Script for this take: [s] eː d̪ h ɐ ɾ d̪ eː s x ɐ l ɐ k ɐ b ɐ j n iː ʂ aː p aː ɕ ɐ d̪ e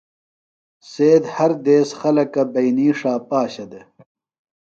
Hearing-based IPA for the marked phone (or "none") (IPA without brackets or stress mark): s